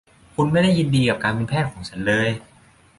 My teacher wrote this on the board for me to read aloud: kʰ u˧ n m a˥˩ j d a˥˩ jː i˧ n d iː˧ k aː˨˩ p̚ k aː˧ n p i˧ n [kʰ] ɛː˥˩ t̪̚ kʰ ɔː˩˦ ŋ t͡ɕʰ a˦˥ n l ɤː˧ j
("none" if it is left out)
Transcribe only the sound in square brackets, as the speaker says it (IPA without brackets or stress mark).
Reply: pʰ